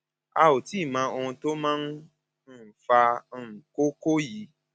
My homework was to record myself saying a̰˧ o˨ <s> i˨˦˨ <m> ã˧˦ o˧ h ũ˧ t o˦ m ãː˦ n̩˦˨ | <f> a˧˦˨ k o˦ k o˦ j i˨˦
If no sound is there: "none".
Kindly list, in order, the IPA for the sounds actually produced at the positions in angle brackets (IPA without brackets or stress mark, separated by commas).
t, m, f